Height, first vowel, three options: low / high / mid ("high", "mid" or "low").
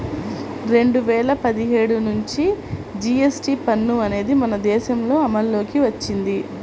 mid